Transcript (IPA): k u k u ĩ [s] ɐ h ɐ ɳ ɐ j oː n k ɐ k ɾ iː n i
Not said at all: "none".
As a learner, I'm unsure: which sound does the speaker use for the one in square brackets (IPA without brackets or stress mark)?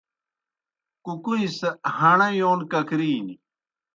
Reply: s